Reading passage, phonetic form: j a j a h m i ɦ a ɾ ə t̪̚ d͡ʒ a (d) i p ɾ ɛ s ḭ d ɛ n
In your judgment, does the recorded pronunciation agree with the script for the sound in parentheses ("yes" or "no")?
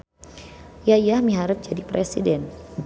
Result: yes